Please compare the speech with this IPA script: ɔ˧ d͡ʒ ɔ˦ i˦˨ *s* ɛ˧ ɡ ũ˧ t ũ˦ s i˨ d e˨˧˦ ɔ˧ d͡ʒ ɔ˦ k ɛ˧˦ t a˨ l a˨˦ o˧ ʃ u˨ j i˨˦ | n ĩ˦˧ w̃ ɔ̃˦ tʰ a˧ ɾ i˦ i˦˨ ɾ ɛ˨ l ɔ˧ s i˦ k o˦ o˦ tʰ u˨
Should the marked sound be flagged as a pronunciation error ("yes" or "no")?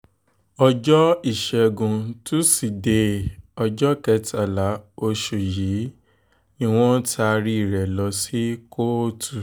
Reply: yes